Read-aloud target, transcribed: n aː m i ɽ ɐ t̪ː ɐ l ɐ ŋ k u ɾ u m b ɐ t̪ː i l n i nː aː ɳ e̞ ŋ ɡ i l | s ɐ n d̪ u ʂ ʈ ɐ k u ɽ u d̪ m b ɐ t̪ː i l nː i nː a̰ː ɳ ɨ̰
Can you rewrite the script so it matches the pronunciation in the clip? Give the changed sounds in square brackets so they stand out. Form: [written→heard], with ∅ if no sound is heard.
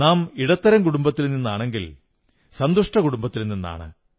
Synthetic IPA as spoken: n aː m i ɽ ɐ t̪ː ɐ [l→ɾ] ɐ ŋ k u [ɾ→ɽ] u m b ɐ t̪ː i l n i nː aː ɳ e̞ ŋ ɡ i l | s ɐ n d̪ u ʂ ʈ ɐ k u ɽ u [d̪→∅] m b ɐ t̪ː i l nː i nː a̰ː ɳ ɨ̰